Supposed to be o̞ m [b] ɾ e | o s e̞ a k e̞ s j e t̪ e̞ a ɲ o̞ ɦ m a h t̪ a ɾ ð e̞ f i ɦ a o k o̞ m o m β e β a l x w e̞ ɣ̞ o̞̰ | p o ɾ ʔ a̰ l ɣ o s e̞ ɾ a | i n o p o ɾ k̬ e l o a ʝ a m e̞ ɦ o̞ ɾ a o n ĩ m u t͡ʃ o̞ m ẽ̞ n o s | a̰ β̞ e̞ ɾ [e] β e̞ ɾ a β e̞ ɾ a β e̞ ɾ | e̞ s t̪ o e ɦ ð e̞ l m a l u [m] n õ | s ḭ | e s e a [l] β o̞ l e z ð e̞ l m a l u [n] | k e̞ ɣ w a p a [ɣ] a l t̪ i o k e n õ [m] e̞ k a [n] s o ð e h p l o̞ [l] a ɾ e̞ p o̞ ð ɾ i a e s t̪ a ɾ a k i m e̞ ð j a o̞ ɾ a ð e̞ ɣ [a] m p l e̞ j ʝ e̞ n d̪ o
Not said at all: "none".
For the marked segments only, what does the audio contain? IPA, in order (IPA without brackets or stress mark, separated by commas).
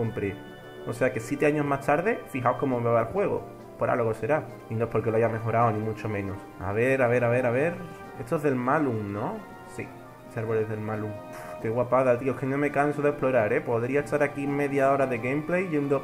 p, a, ŋ, ɾ, ŋ, ð, m, n, ɾ, e